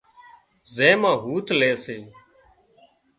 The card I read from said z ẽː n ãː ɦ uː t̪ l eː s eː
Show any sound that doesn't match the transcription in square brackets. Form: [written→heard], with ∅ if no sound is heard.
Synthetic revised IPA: z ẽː [n→m] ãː ɦ uː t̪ l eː s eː